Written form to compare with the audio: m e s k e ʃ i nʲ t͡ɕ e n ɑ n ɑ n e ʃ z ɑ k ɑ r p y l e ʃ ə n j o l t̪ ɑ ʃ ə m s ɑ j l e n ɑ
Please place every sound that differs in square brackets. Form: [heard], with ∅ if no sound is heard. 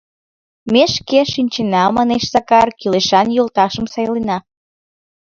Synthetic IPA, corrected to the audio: m e [ʃ] k e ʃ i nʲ t͡ɕ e n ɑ [m] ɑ n e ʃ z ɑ k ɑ r [k] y l e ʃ [ɑ] n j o l t̪ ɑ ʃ ə m s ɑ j l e n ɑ